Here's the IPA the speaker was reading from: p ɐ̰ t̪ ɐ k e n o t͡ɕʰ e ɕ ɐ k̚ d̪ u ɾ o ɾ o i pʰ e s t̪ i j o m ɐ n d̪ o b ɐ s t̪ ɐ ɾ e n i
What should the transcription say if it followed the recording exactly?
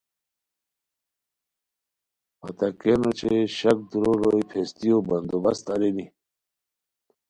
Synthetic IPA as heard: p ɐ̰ t̪ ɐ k e n o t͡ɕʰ e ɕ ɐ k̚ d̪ u ɾ o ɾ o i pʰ e s t̪ i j o b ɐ n d̪ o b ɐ s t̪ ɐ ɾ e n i